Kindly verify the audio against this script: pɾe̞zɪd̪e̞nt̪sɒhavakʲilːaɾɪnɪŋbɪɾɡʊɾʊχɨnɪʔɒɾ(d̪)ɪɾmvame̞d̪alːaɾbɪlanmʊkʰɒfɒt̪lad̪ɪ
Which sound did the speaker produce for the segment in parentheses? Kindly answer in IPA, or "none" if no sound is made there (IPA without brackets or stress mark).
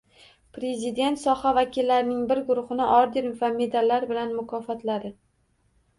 d̪